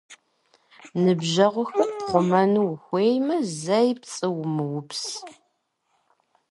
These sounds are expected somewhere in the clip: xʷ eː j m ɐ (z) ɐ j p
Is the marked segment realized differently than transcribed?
no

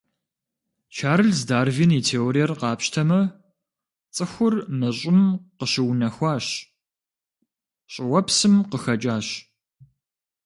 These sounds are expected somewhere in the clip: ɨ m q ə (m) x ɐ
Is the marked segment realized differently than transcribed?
yes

